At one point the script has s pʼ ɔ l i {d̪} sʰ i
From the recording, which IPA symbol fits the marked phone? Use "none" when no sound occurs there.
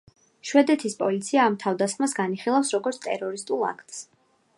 t̪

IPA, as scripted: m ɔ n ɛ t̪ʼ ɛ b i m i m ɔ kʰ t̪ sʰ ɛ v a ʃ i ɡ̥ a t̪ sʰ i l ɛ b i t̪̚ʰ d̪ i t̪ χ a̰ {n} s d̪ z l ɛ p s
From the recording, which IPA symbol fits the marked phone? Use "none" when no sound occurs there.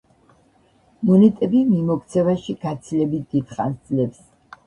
n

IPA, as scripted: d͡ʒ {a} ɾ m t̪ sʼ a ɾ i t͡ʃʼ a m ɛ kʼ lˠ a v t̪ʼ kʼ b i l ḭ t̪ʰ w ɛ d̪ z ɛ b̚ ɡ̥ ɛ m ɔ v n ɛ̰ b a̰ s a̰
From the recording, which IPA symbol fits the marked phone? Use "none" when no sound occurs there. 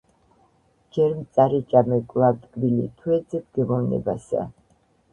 ɛ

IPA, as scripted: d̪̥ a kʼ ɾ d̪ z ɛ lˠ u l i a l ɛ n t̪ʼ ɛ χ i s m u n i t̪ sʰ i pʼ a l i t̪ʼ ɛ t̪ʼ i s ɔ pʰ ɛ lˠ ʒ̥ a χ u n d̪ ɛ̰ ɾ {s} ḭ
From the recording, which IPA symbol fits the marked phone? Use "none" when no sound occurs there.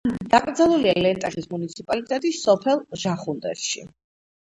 ʃ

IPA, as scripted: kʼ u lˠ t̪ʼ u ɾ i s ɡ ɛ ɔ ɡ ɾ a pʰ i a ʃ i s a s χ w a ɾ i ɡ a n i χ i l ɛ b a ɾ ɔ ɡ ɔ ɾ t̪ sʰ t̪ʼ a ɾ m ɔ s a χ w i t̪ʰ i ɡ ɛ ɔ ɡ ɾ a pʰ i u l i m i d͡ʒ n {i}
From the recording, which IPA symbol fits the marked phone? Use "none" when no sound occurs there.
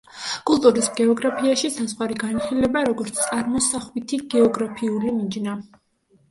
a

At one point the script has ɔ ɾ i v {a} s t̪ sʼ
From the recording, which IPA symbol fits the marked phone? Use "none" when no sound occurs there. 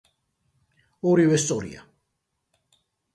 ɛ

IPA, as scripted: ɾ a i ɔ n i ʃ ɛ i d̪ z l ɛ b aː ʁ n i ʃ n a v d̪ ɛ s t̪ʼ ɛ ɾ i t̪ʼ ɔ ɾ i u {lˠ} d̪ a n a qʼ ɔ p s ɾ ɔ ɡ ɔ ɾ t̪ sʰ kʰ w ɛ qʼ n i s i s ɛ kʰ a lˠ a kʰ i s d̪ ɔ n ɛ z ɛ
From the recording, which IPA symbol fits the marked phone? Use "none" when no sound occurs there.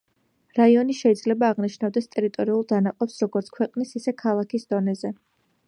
lˠ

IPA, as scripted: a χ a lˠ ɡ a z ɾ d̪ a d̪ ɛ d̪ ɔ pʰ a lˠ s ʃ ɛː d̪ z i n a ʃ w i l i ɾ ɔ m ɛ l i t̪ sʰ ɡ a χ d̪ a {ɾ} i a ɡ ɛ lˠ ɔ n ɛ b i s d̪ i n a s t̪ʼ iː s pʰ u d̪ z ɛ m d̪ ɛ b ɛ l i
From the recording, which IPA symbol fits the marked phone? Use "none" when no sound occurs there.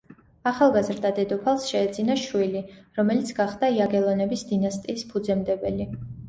none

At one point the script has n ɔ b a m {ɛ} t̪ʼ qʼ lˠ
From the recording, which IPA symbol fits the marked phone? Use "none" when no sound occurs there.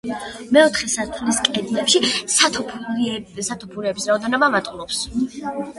a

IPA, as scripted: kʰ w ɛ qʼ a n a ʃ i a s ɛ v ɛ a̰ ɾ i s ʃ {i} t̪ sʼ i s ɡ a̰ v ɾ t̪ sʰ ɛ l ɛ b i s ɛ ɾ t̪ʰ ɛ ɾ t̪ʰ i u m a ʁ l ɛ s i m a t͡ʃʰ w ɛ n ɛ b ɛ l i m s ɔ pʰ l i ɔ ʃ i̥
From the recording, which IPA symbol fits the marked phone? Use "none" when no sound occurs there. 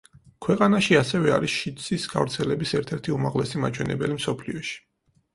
i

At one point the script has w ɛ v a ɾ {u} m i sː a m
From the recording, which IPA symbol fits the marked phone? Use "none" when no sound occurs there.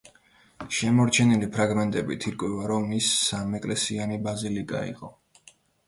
ɔ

